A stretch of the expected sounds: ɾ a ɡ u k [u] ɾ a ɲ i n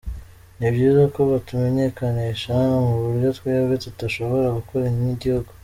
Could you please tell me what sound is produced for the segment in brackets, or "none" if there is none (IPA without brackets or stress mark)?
o